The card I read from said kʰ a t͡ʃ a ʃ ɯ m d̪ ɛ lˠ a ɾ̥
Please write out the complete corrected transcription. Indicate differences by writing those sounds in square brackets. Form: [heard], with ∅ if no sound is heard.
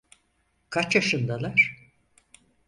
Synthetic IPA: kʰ a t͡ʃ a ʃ ɯ [n] d̪ [a] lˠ a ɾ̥

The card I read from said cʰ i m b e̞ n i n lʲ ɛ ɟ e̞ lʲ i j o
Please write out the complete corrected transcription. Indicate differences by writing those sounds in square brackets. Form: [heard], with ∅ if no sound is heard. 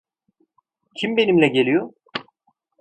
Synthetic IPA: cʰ i m b e̞ n i [m] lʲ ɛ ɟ e̞ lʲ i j o

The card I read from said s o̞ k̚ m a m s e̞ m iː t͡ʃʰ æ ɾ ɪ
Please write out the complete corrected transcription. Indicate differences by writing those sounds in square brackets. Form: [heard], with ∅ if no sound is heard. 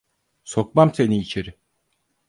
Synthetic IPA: s o̞ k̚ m a m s e̞ [n] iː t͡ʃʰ [e] ɾ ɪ

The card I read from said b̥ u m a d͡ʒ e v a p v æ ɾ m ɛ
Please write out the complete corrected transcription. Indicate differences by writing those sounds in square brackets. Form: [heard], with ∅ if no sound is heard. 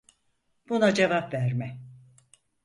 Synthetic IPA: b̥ u [n] a d͡ʒ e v a p v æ ɾ m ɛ

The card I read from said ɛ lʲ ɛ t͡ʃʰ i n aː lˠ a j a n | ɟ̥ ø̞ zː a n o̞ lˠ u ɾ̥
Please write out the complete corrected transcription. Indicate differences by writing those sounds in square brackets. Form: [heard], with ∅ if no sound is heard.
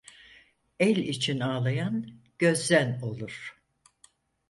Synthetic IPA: ɛ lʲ [i] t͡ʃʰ i n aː lˠ a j a n | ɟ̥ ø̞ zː [æ] n o̞ lˠ u ɾ̥

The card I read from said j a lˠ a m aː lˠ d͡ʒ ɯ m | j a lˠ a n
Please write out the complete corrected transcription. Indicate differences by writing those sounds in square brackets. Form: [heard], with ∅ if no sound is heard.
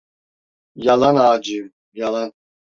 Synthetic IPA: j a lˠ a [n] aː [∅] d͡ʒ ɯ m | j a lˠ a n

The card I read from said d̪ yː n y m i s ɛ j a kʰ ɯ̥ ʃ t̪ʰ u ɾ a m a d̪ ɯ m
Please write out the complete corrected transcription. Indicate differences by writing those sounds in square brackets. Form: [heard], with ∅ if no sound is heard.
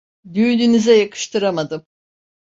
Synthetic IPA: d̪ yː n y [n] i [z] ɛ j a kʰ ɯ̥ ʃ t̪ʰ [ɯ] ɾ a m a d̪ ɯ m

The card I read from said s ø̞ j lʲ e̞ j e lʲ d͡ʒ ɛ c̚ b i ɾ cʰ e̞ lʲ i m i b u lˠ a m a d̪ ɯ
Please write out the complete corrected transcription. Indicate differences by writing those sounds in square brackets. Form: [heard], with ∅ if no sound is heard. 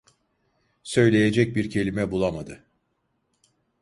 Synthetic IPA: s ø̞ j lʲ e̞ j e [∅] d͡ʒ ɛ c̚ b i ɾ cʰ e̞ lʲ i m [ɛ] b u lˠ a m a d̪ ɯ

